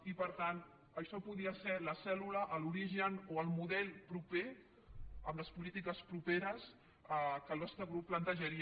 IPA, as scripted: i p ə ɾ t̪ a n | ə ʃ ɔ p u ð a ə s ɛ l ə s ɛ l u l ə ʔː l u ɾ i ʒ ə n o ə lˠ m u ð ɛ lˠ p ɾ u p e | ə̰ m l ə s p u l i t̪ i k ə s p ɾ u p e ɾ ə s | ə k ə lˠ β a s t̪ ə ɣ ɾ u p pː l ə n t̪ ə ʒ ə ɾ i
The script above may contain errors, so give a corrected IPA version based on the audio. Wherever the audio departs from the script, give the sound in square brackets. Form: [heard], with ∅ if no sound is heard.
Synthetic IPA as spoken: i p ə ɾ t̪ a n | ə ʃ ɔ p u ð [i] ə s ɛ l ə s ɛ l u l ə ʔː l u ɾ i ʒ ə n o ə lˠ m u ð ɛ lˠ p ɾ u p e | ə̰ m l ə s p u l i t̪ i k ə s p ɾ u p e ɾ ə s | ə k ə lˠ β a s t̪ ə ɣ ɾ u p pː l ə n t̪ ə ʒ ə ɾ i